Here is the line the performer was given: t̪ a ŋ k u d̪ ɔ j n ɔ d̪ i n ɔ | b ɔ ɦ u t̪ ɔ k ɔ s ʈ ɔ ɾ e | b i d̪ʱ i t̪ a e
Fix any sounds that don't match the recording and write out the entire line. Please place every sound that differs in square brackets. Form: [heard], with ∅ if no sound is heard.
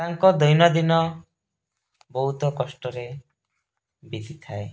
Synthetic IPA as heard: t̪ a ŋ k [ɔ] d̪ ɔ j n ɔ d̪ i n ɔ | b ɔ ɦ u t̪ ɔ k ɔ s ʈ ɔ ɾ e | b i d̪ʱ i [t̪ʰ] a e